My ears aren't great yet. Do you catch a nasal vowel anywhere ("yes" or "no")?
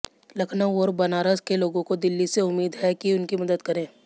yes